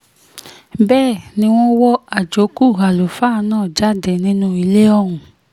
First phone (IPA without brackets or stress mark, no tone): b